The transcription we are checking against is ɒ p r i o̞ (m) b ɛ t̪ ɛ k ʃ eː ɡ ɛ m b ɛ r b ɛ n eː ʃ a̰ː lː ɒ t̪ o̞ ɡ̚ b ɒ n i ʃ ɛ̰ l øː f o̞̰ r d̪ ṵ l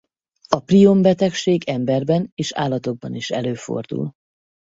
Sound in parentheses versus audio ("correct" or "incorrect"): correct